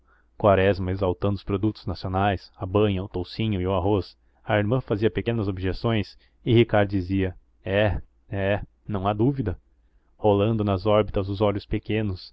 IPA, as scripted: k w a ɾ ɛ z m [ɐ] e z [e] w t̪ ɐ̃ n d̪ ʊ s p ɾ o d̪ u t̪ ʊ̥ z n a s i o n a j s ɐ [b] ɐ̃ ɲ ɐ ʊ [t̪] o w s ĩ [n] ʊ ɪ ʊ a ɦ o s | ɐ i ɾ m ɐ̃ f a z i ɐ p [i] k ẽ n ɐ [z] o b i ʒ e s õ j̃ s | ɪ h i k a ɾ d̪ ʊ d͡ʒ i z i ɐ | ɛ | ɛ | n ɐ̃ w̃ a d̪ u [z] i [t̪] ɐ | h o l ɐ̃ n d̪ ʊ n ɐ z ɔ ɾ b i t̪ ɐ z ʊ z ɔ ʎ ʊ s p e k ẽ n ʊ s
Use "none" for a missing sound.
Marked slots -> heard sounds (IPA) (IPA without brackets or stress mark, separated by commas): ɐ, a, b, t̪, ɲ, e, z, v, d̪